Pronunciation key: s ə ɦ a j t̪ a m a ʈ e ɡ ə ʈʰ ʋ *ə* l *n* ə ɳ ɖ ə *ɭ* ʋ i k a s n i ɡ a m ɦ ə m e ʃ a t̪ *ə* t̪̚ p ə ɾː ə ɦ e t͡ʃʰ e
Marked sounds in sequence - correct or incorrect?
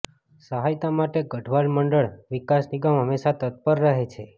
incorrect: a, incorrect: m, correct, correct

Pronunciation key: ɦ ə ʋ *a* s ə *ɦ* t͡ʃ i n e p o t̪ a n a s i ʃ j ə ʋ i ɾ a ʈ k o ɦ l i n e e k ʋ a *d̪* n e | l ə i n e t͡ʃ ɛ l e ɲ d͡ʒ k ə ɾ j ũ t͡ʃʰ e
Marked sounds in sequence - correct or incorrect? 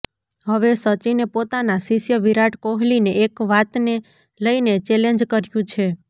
incorrect: e, incorrect: none, incorrect: t̪

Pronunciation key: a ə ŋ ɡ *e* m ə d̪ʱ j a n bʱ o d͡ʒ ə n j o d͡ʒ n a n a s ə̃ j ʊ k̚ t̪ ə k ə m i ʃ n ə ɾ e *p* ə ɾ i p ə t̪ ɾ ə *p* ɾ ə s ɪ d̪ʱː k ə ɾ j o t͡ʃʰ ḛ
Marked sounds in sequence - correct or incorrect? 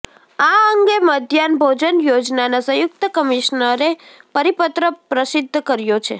correct, correct, correct

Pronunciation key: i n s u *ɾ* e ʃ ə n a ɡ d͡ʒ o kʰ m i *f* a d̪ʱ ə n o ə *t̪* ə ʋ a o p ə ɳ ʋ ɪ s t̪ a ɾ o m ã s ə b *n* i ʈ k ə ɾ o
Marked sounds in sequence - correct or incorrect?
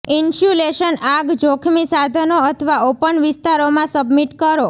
incorrect: l, incorrect: s, incorrect: t̪ʰ, incorrect: m

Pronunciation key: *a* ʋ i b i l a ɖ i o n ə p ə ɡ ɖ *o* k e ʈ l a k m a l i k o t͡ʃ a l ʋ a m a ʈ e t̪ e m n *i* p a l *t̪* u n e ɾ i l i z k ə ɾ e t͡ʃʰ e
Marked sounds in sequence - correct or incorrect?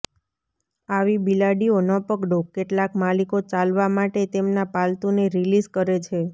correct, correct, incorrect: a, correct

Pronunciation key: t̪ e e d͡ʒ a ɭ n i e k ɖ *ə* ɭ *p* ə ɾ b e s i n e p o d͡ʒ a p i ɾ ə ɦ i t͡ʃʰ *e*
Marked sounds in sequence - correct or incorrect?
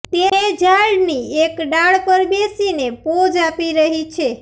incorrect: a, correct, correct

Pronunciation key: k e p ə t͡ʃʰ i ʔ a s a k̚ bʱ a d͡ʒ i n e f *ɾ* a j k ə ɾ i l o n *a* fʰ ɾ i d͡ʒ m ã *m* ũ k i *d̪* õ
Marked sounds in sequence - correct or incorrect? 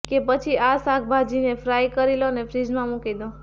correct, incorrect: e, correct, correct

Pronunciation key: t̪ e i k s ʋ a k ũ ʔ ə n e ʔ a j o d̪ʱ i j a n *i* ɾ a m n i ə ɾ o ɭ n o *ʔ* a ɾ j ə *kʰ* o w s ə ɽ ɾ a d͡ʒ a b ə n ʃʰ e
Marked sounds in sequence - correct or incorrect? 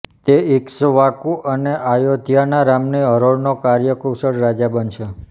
incorrect: a, incorrect: k, incorrect: k

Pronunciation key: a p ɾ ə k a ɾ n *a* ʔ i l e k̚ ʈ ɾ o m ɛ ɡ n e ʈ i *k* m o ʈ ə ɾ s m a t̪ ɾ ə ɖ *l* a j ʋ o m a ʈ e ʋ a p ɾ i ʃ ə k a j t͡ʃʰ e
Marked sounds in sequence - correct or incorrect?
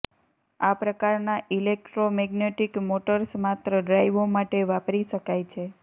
correct, correct, incorrect: ɾ

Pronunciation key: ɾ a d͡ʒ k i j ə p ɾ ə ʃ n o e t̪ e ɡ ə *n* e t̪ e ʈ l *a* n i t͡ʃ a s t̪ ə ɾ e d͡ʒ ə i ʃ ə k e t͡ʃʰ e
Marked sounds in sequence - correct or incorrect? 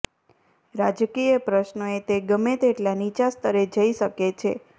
incorrect: m, correct

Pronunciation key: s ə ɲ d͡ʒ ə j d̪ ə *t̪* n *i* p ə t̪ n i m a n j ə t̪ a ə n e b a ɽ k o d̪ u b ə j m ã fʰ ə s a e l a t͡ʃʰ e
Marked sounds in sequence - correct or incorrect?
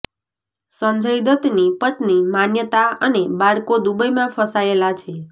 correct, correct

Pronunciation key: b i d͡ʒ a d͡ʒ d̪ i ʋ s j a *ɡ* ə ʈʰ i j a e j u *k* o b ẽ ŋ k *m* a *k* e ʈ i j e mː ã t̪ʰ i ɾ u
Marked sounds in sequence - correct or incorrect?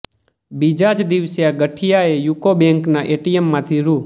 correct, correct, incorrect: n, incorrect: ʔ

